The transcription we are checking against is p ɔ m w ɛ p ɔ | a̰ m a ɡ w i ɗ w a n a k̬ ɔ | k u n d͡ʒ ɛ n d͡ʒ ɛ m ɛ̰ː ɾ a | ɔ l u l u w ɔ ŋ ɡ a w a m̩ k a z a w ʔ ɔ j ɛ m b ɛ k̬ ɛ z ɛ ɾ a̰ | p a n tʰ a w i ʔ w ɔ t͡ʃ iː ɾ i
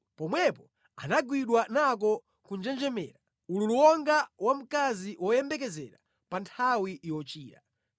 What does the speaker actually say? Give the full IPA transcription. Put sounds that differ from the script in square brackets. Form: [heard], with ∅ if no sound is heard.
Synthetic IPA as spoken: p ɔ m w ɛ p ɔ | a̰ [n] a ɡ w i ɗ w a n a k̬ ɔ | k u n d͡ʒ ɛ n d͡ʒ ɛ m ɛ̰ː ɾ a | [u] l u l u w ɔ ŋ ɡ a w a m̩ k a z [i] w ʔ ɔ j ɛ m b ɛ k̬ ɛ z ɛ ɾ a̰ | p a n tʰ a w i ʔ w ɔ t͡ʃ iː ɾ [a]

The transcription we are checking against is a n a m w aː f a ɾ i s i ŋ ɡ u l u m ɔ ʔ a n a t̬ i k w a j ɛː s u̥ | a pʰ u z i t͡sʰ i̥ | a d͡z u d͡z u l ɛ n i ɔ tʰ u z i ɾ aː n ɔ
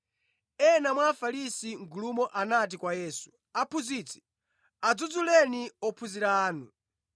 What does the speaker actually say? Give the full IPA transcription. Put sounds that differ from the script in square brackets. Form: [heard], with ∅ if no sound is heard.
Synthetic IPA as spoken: [ɛ] n a m w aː f a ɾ i s i ŋ ɡ u l u m ɔ ʔ a n a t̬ i k w a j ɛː s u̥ | a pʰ u z i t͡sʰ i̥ | a d͡z u d͡z u l ɛ n i ɔ [pʰ] u z i ɾ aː n [u]

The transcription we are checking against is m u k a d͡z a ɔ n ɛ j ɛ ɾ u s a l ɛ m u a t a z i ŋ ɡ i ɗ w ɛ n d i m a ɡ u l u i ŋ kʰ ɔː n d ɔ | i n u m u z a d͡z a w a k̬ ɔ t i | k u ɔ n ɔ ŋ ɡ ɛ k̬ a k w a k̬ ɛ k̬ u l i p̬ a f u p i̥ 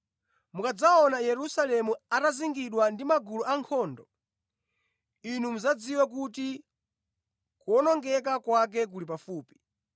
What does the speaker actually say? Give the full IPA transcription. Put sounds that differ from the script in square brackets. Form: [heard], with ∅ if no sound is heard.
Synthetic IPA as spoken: m u k a d͡z a ɔ n [a] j ɛ ɾ u s a l ɛ m u a t a z i ŋ ɡ i ɗ w [a] n d i m a ɡ u l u [a] ŋ kʰ ɔː n d ɔ | i n u m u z a d͡z [i] w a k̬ [u] t i | k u ɔ n ɔ ŋ ɡ ɛ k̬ a k w a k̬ ɛ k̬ u l i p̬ a f [uː] p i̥

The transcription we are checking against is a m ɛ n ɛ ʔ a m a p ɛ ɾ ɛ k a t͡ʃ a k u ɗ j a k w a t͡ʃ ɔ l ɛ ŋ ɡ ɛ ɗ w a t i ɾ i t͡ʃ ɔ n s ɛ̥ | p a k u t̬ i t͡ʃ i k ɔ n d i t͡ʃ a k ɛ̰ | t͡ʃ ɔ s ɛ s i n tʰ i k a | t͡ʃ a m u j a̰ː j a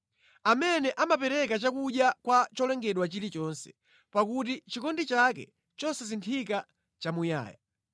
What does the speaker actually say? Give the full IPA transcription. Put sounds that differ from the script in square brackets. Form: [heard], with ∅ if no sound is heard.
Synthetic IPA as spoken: a m ɛ n ɛ ʔ a m a p ɛ ɾ ɛ k a t͡ʃ a k u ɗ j a k w a t͡ʃ ɔ l ɛ ŋ ɡ ɛ ɗ w a [t͡ʃ] i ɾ i t͡ʃ ɔ n s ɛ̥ | p a k u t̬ i t͡ʃ i k ɔ n d i t͡ʃ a k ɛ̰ | t͡ʃ ɔ s ɛ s i n tʰ i k a | t͡ʃ a m u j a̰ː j a

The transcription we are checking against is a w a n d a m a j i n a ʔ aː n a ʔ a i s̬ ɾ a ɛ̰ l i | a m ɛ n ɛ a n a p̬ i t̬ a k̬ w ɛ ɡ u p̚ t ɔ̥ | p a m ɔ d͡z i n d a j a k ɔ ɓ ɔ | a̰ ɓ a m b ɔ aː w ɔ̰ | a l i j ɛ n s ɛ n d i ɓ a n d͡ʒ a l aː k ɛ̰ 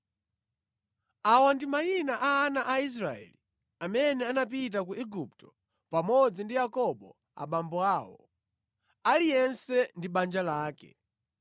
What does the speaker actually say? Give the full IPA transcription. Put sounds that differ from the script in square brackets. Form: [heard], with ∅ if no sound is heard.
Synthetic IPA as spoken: a w a n d [i] m a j i n a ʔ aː n a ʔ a i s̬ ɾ a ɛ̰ l i | a m ɛ n ɛ a n a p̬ i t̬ a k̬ [u] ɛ ɡ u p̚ t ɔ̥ | p a m ɔ d͡z i n d [i] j a k ɔ ɓ ɔ | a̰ ɓ a m b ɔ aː w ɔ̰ | a l i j ɛ n s ɛ n d i ɓ a n d͡ʒ a l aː k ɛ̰

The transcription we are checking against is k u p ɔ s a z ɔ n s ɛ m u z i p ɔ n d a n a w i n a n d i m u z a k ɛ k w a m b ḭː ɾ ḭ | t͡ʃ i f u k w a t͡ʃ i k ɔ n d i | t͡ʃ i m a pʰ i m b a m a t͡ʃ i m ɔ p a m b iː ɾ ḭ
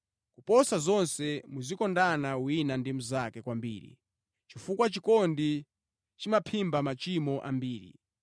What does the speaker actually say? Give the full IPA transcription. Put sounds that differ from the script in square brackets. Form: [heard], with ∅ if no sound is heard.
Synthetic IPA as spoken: k u p ɔ s a z ɔ n s ɛ m u z i [k] ɔ n d a n a w i n a n d i m u z a k ɛ k w a m b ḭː ɾ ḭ | t͡ʃ i f u k w a t͡ʃ i k ɔ n d i | t͡ʃ i m a pʰ i m b a m a t͡ʃ i m ɔ [ʔ] a m b iː ɾ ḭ

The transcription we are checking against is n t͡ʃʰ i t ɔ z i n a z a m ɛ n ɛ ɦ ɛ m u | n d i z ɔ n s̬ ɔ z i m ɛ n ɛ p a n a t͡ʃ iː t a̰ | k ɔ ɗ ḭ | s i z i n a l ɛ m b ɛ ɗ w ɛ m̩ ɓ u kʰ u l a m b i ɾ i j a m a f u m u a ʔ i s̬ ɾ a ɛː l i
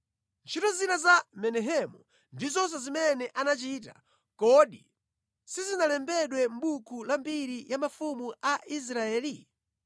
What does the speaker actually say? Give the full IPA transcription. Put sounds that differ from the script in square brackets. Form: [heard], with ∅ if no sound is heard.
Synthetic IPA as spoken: n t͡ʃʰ i t ɔ z i n a z a m ɛ n ɛ ɦ ɛ m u | n d i z ɔ n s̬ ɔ z i m ɛ n ɛ [ʔ] a n a t͡ʃ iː t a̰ | k ɔ ɗ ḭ | s i z i n a l ɛ m b ɛ ɗ w ɛ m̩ ɓ u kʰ u l a m b i ɾ i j a m a f u m u a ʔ i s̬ ɾ a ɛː l i

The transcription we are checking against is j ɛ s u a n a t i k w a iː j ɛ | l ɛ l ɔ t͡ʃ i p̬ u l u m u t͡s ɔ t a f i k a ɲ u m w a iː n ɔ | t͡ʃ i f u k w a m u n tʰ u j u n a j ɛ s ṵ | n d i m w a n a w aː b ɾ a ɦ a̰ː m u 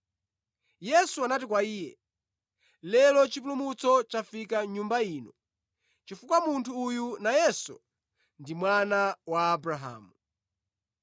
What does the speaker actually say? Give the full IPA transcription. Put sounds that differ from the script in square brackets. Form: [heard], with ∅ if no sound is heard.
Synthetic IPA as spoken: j ɛ s u a n a t i k w a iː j ɛ | l ɛ l ɔ t͡ʃ i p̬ u l u m u t͡s ɔ [t͡ʃ] a f i k a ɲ u m [b] a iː n ɔ | t͡ʃ i f u k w a m u n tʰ [uː] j u n a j ɛ s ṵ | n d i m w a n a w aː b ɾ a ɦ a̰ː m u

